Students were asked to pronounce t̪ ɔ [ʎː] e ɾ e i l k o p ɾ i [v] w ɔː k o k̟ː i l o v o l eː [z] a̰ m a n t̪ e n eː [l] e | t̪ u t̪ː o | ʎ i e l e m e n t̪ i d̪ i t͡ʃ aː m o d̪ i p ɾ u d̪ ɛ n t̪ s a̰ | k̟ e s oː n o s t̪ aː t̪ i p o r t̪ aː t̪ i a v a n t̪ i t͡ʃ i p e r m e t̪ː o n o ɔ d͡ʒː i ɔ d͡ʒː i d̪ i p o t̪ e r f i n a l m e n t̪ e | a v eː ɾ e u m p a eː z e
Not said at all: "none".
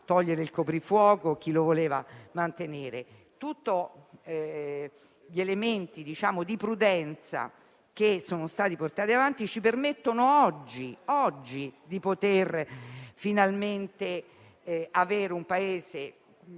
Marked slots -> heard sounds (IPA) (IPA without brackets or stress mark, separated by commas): ʎː, f, v, ɾ